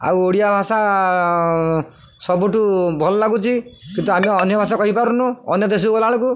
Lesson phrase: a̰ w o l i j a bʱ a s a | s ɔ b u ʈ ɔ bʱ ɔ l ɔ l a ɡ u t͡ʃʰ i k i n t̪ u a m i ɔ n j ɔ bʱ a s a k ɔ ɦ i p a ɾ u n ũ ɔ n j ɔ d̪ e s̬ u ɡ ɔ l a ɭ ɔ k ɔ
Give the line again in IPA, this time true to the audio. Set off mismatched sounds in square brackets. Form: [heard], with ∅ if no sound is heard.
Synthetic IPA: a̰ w o [ɽ] i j a bʱ a s a | s ɔ b u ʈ [u] bʱ ɔ l ɔ l a ɡ u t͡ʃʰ i k i n t̪ u a m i ɔ n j ɔ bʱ a s a k ɔ ɦ i p a ɾ u n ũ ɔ n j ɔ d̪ e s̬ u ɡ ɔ l a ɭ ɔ k [u]